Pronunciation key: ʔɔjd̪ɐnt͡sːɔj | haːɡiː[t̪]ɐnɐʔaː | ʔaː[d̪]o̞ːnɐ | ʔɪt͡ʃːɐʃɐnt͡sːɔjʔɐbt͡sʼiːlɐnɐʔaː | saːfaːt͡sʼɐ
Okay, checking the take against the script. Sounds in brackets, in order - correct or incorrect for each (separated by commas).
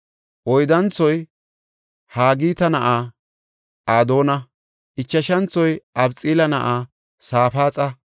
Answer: correct, correct